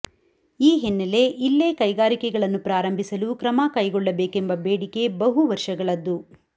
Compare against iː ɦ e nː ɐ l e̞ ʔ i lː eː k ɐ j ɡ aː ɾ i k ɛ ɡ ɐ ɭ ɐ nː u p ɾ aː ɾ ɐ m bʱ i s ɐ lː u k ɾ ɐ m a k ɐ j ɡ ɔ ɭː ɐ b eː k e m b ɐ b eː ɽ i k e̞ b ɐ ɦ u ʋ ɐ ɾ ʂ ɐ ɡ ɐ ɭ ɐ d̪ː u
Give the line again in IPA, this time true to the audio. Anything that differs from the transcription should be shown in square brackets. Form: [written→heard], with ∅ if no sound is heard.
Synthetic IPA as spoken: iː ɦ e nː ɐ l e̞ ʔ i lː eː k ɐ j ɡ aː ɾ i k ɛ ɡ ɐ ɭ ɐ nː u p ɾ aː ɾ ɐ m bʱ i s ɐ [lː→l] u k ɾ ɐ m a k ɐ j ɡ ɔ ɭː ɐ b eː k e m b ɐ b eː ɽ i k e̞ b ɐ ɦ u ʋ ɐ ɾ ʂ ɐ ɡ ɐ ɭ ɐ d̪ː u

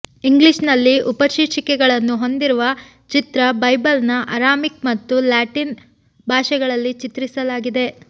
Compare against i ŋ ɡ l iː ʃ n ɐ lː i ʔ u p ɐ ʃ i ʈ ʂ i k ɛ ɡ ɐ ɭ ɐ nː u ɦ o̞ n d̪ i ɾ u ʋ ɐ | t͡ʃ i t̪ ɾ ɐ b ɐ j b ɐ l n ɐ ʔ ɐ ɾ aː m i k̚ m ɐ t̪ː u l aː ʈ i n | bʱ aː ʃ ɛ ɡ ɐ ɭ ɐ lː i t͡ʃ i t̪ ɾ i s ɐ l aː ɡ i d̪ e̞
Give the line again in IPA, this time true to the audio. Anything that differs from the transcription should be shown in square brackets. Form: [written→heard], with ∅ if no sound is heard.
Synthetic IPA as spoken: i ŋ ɡ l [iː→i] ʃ n ɐ lː i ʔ u p ɐ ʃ i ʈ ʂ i k ɛ ɡ ɐ ɭ ɐ nː u ɦ o̞ n d̪ i ɾ u ʋ ɐ | t͡ʃ i t̪ ɾ ɐ b ɐ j b ɐ l n ɐ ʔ ɐ ɾ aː m i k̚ m ɐ t̪ː u l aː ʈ i n | bʱ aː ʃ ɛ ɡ ɐ ɭ ɐ lː i t͡ʃ i t̪ ɾ i s ɐ l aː ɡ i d̪ e̞

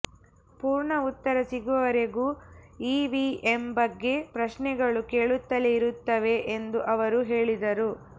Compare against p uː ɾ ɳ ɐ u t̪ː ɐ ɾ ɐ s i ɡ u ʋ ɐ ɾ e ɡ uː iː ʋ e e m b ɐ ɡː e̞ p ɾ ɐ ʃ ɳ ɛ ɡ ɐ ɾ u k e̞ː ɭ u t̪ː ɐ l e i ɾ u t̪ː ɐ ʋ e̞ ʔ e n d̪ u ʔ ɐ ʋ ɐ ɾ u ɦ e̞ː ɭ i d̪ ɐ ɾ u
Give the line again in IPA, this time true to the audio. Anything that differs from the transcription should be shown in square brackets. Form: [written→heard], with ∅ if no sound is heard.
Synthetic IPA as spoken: p uː ɾ ɳ ɐ u t̪ː ɐ ɾ ɐ s i ɡ u ʋ ɐ ɾ e ɡ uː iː ʋ [e→i] e m b ɐ ɡː e̞ p ɾ ɐ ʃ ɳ ɛ ɡ ɐ [ɾ→ɭ] u k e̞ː ɭ u t̪ː ɐ l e i ɾ u t̪ː ɐ ʋ e̞ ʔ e n d̪ u ʔ ɐ ʋ ɐ ɾ u ɦ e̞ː ɭ i d̪ ɐ ɾ u

